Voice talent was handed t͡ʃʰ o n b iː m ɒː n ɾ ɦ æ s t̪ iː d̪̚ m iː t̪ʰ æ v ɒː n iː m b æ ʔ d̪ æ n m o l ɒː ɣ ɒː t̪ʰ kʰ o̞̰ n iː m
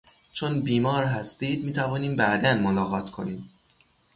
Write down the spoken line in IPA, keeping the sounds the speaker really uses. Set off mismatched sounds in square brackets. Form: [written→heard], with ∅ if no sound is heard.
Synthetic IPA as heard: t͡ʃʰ o n b iː m ɒː [n→∅] ɾ ɦ æ s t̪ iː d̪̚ m iː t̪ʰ æ v ɒː n iː m b æ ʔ d̪ æ n m o l ɒː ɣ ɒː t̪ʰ kʰ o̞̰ n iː m